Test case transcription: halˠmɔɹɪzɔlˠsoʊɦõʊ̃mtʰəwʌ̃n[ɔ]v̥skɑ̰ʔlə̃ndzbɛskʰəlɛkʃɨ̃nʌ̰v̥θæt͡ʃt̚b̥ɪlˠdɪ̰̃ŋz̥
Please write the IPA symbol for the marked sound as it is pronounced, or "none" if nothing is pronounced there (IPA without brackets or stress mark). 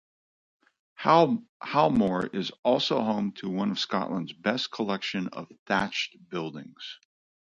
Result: ʌ